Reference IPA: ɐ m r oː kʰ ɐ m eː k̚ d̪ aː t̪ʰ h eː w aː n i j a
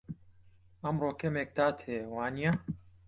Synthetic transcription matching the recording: ɐ m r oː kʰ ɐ m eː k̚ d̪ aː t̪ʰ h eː w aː n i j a